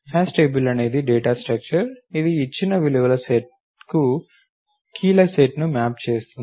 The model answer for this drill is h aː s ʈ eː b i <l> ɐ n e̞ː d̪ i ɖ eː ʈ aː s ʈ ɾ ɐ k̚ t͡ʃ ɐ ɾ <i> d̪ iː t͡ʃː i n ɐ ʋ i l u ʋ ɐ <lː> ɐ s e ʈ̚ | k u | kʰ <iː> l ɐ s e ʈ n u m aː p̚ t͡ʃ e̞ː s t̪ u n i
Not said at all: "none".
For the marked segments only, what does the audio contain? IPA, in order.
l, i, l, iː

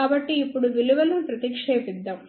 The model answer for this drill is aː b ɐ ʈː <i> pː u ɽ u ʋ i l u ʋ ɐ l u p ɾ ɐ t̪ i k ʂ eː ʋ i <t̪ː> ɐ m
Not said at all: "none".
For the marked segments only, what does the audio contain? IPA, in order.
iː, d̪ː

